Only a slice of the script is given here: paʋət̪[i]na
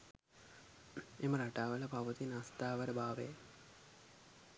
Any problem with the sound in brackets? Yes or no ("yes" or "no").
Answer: no